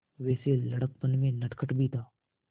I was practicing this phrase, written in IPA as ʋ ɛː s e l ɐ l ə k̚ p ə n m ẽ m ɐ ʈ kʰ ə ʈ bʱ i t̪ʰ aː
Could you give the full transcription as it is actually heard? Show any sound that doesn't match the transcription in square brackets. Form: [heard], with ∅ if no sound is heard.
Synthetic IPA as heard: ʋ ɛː s e l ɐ [ɽ] ə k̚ p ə n m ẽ [n] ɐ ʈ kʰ ə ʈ bʱ i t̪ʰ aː